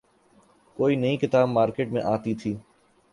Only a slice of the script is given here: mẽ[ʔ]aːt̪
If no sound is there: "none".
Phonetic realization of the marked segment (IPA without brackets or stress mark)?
ʔ